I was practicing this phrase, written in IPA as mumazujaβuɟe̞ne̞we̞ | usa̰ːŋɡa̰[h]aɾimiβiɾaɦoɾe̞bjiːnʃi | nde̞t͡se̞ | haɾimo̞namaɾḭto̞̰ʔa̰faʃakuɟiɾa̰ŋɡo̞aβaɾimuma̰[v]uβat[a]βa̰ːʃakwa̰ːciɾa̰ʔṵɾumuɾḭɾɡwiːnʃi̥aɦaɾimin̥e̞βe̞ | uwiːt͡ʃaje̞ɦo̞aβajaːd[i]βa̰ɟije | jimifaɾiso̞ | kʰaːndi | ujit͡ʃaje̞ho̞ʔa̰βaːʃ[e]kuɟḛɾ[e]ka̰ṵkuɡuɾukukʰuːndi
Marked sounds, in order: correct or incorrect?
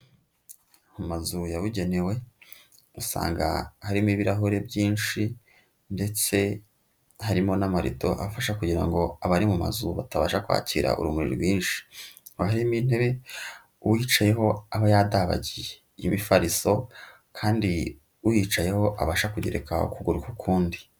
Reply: correct, incorrect: z, correct, incorrect: a, incorrect: a, correct

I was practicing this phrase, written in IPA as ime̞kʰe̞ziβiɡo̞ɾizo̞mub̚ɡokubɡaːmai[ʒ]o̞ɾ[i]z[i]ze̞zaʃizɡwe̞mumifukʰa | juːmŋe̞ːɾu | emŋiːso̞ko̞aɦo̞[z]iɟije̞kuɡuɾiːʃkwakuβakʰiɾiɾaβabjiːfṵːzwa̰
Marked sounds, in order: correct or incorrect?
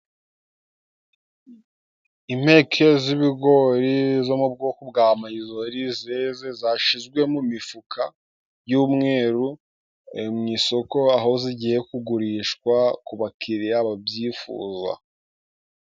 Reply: incorrect: z, correct, incorrect: e, correct

